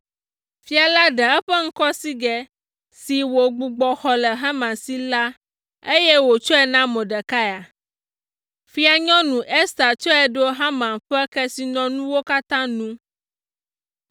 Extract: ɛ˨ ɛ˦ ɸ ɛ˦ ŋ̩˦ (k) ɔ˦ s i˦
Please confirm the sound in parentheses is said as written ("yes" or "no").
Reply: yes